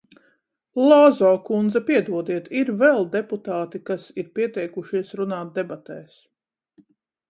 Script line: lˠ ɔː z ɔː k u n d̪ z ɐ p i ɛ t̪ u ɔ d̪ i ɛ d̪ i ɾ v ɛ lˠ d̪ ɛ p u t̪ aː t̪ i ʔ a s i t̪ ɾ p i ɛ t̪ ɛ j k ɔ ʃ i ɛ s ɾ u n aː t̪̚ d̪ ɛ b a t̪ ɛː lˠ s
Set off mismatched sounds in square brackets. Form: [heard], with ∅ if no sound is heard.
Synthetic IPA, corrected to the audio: lˠ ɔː z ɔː k u n d̪ z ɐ p i ɛ [d̪] u ɔ d̪ i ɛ [t̪] i ɾ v ɛ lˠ d̪ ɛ p u t̪ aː t̪ i [k] a s i [∅] ɾ p i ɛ t̪ ɛ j k [u] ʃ i ɛ s ɾ u n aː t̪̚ d̪ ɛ b a t̪ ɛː [∅] s